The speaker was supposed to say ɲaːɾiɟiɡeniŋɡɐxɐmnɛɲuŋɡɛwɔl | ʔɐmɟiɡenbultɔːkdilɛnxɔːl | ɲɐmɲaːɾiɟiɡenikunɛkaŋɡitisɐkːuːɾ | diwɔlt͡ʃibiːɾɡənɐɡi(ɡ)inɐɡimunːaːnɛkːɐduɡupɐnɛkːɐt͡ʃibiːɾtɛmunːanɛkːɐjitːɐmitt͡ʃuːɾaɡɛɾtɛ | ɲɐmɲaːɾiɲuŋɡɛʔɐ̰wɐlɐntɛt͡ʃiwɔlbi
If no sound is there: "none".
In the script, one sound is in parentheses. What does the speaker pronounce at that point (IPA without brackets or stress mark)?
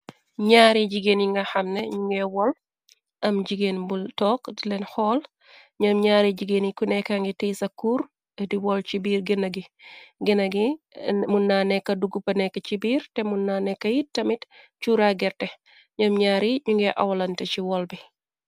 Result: ɡ